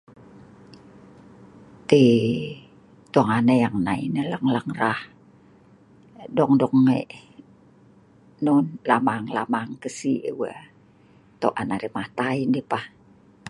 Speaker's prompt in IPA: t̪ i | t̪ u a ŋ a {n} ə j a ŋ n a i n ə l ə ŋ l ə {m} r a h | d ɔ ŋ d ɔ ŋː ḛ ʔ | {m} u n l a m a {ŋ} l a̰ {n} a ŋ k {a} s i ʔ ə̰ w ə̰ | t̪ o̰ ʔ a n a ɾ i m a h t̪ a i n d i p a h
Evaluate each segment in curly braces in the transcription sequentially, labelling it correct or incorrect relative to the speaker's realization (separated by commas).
correct, incorrect, incorrect, correct, incorrect, incorrect